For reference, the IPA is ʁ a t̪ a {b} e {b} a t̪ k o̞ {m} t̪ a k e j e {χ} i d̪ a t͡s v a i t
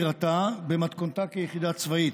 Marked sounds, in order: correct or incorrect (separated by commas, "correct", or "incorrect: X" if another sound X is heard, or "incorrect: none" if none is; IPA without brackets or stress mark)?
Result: correct, incorrect: m, incorrect: n, correct